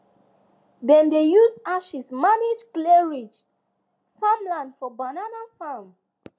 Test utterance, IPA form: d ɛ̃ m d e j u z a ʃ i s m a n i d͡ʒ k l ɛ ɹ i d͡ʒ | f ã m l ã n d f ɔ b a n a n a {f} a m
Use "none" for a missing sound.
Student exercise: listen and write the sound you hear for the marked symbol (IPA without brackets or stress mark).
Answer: f